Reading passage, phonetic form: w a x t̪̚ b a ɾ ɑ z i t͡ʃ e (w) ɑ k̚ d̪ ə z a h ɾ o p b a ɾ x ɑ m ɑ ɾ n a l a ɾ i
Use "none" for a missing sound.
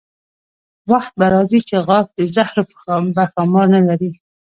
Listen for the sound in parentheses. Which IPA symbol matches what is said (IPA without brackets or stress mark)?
ɣ